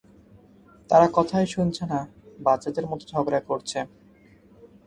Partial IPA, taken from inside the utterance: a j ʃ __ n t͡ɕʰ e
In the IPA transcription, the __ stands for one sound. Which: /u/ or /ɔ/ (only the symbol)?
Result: u